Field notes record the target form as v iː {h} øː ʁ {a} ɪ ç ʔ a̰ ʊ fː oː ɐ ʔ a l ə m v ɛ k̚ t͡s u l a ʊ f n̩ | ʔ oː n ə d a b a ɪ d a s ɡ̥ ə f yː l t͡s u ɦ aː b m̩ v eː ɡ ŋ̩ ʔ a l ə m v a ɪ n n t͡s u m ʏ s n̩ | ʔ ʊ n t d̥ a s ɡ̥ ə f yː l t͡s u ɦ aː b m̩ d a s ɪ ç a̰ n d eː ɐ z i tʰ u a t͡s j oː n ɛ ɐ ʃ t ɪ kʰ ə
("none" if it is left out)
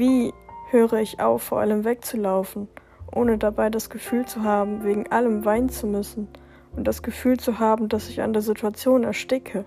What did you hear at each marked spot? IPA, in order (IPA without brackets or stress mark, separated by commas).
h, ə